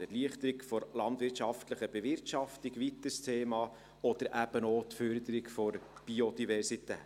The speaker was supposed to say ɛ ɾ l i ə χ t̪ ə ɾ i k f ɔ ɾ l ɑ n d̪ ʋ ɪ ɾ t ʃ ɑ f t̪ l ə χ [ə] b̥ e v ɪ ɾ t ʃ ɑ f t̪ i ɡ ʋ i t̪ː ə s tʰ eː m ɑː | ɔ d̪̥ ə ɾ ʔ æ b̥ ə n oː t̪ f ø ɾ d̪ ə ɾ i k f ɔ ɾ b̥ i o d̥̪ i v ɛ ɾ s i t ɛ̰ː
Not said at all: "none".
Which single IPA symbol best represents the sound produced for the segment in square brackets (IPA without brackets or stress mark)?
ə